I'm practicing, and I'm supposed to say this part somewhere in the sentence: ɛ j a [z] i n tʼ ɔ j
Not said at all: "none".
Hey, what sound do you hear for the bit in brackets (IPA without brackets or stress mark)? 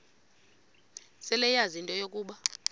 z